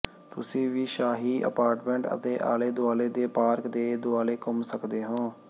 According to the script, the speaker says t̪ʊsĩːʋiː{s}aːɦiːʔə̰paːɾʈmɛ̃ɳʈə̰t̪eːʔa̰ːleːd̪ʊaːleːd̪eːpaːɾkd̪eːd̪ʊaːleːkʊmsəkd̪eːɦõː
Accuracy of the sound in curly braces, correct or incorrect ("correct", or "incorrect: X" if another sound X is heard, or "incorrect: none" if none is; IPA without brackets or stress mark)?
incorrect: ʃ